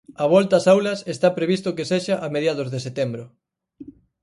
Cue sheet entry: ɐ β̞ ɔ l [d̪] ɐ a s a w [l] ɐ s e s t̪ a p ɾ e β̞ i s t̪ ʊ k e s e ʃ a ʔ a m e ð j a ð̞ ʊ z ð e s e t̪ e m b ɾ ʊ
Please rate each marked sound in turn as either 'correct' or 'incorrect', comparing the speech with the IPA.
incorrect, correct

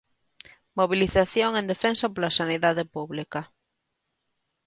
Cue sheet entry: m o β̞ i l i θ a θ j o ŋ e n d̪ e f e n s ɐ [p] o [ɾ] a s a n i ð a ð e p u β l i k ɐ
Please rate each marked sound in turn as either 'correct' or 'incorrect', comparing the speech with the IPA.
correct, incorrect

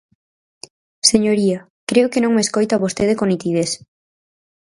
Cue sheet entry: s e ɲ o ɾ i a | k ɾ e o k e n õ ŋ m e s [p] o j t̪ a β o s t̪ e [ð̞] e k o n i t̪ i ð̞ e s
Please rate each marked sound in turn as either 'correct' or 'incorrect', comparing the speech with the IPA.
incorrect, correct

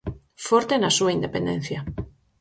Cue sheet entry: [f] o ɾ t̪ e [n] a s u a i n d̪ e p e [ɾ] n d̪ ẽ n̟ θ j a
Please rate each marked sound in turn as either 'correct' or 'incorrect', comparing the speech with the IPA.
correct, correct, incorrect

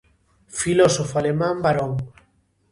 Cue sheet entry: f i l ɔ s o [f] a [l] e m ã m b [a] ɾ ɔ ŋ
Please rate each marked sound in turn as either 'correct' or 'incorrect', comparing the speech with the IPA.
correct, correct, correct

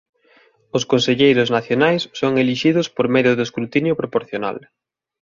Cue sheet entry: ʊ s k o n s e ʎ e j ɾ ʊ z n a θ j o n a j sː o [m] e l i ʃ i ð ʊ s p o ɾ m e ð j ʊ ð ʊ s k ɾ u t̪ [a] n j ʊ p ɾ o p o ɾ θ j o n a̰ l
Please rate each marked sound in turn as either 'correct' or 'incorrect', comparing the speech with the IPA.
incorrect, incorrect

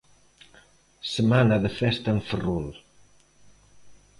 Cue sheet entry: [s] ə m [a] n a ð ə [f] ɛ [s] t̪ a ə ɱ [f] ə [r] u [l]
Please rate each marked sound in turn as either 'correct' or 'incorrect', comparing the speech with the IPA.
correct, correct, correct, correct, correct, correct, correct

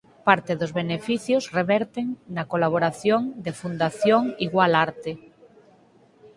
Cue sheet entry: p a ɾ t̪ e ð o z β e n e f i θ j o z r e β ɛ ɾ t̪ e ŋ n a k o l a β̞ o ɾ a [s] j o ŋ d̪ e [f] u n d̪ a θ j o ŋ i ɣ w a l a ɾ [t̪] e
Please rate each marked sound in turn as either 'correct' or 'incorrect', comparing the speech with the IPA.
incorrect, correct, correct

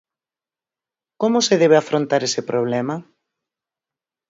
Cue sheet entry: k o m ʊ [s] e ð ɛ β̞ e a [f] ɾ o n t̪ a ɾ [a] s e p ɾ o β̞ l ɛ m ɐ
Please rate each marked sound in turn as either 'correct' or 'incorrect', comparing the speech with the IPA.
correct, correct, incorrect

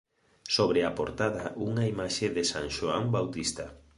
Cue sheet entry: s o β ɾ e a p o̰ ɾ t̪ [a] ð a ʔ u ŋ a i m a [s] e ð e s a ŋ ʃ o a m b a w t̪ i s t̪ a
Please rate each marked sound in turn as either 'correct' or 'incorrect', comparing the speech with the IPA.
correct, incorrect

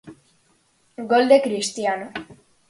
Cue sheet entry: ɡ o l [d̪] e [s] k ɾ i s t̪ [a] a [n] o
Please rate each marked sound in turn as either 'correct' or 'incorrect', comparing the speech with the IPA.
correct, incorrect, incorrect, correct

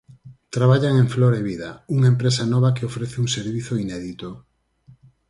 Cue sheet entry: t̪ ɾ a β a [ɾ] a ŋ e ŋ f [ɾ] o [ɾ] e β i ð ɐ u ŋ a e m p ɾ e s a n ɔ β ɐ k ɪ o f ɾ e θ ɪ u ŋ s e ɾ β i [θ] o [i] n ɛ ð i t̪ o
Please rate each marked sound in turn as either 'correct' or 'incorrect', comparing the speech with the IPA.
incorrect, incorrect, correct, correct, correct

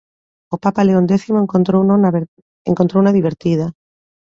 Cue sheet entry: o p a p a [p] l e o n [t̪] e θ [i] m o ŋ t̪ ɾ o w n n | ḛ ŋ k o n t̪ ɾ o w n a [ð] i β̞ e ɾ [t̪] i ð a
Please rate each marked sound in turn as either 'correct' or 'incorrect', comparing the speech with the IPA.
incorrect, incorrect, correct, correct, correct

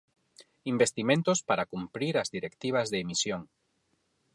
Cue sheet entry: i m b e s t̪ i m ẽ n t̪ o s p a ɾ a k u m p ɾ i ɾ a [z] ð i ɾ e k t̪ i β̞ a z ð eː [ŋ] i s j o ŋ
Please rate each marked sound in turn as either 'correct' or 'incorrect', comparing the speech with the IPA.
correct, incorrect

